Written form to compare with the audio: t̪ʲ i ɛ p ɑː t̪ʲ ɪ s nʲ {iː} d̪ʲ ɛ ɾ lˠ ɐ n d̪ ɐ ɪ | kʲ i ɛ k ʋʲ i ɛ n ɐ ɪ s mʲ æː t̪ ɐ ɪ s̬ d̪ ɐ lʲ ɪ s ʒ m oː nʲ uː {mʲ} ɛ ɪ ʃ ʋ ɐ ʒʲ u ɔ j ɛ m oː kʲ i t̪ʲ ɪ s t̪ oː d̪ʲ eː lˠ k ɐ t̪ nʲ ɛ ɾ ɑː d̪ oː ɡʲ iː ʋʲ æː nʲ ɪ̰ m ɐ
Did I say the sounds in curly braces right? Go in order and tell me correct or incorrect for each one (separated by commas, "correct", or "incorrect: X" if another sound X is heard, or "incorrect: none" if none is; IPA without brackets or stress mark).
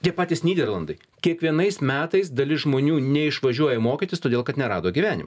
correct, incorrect: nʲ